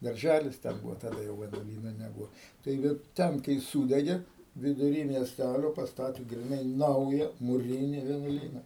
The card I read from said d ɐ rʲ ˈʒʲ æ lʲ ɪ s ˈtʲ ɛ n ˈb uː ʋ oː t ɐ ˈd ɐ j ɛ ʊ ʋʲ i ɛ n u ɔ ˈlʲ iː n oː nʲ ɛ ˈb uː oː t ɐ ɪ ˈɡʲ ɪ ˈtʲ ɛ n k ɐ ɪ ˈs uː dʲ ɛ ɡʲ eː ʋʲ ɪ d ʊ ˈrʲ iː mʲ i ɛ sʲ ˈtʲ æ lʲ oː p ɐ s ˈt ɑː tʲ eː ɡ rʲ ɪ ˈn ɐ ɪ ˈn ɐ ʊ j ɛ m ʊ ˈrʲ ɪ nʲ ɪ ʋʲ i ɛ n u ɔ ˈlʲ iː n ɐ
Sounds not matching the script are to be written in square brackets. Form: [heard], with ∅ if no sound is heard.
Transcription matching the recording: d ɐ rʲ ˈʒʲ æ lʲ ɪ s ˈtʲ ɛ n ˈb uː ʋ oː t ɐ ˈd ɐ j ɛ ʊ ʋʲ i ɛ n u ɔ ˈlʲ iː n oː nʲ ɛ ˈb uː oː t ɐ ɪ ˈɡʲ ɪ ˈtʲ ɛ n k ɐ ɪ ˈs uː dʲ ɛ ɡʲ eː ʋʲ ɪ d ʊ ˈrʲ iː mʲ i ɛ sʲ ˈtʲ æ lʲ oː p ɐ s ˈt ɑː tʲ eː ɡ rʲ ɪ ˈn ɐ ɪ ˈn ɐ ʊ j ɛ m ʊ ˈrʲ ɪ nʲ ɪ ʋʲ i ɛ n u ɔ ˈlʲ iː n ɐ